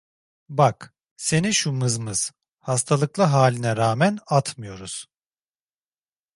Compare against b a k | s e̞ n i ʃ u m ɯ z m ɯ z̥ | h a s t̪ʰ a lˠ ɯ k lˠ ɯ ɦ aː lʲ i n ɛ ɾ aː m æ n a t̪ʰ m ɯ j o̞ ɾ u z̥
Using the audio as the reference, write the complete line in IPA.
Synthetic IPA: b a k | s e̞ n i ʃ u m ɯ z m ɯ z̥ | h a s t̪ʰ a lˠ ɯ k lˠ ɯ ɦ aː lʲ i n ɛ ɾ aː m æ n a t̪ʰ m ɯ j o̞ ɾ u z̥